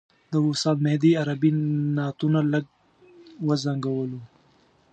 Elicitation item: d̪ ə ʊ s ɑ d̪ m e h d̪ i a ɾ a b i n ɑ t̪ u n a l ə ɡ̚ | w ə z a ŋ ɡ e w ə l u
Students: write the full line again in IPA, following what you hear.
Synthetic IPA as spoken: d̪ ə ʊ s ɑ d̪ m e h d̪ i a ɾ a b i n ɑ t̪ u n a l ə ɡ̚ | w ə z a ŋ ɡ a w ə l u